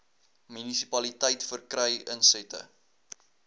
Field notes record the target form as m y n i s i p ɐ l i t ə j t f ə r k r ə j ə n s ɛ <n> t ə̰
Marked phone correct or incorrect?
incorrect